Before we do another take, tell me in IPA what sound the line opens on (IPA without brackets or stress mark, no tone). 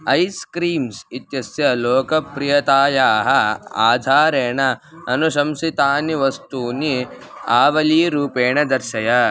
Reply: ɐ